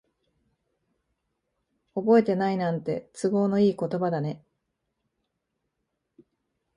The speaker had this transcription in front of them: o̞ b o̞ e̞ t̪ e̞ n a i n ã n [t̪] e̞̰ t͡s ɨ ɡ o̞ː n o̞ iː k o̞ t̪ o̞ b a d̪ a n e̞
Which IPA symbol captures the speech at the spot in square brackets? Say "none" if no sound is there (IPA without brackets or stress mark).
t̪